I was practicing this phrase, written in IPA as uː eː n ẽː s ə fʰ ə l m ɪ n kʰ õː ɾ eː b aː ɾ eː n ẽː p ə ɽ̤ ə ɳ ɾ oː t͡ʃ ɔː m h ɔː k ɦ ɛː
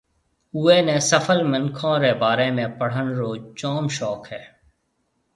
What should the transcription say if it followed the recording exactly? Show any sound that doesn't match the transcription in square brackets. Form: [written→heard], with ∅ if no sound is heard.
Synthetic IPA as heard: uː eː n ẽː s ə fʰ ə l m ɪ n kʰ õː ɾ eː b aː ɾ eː [n→m] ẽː p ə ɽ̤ ə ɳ ɾ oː t͡ʃ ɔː m [h→ʃ] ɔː k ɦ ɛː